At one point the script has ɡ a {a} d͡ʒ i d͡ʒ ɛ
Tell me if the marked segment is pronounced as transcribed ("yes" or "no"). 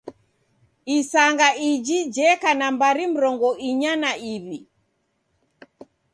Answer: no